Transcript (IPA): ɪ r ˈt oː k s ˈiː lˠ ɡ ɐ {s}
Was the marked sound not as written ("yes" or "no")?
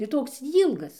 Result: no